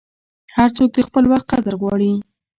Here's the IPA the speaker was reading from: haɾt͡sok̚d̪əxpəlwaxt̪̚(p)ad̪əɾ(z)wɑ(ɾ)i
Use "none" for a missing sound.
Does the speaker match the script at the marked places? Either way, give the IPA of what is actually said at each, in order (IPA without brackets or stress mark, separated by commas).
q, ɣ, ɽ